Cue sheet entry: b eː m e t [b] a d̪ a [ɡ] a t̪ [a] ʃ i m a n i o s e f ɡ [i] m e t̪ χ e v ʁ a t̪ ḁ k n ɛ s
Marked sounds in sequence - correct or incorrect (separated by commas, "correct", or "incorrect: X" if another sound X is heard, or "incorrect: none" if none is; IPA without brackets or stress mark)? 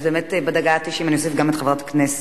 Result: correct, correct, incorrect: i, incorrect: a